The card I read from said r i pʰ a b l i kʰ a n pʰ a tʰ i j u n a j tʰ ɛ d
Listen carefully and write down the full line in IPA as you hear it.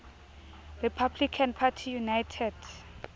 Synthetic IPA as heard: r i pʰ a b l i kʰ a n pʰ a tʰ i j u n a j tʰ ɛ d